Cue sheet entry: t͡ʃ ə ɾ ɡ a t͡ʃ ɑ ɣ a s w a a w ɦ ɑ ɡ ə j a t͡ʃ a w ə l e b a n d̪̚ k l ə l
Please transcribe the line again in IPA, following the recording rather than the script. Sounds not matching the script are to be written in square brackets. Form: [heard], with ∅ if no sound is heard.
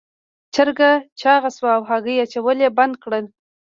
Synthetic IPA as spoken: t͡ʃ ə ɾ ɡ a t͡ʃ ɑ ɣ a s w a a w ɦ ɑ ɡ ə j a t͡ʃ a w ə l e b a n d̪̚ k [ɽ] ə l